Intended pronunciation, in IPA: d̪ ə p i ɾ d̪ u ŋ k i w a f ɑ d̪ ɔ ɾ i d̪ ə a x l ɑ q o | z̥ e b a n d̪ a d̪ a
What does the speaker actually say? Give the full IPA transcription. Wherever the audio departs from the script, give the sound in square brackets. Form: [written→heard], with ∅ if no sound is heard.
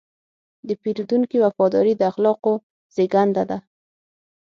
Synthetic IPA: d̪ ə p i ɾ d̪ u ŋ k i w a f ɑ d̪ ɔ ɾ i d̪ ə a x l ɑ q o | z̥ e [b→ɡ] a n d̪ a d̪ a